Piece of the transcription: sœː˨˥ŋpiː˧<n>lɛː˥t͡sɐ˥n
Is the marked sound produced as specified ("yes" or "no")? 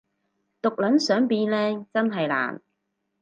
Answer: yes